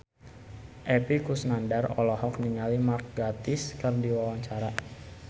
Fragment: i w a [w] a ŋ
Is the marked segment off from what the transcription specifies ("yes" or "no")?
no